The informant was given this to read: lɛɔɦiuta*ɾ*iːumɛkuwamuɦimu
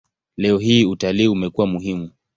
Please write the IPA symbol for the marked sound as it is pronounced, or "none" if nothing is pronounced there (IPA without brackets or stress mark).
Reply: l